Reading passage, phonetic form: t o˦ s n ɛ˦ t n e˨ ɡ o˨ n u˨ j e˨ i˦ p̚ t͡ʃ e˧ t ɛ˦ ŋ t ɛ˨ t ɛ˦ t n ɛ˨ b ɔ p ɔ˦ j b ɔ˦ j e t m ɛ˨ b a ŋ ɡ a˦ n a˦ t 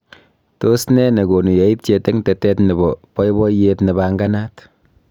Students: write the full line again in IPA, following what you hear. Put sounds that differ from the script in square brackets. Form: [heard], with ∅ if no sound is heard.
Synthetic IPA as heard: t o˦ s n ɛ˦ [∅] n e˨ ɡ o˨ n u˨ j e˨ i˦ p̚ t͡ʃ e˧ t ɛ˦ ŋ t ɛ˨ t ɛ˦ t n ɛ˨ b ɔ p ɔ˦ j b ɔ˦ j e t [n] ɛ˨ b a ŋ ɡ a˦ n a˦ t